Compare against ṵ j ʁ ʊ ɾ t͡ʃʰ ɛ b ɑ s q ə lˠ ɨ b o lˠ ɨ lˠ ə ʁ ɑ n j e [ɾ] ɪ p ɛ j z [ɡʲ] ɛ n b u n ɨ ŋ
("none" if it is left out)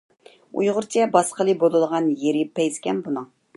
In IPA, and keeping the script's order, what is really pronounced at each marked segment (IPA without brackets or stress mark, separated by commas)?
ɾ, kʲ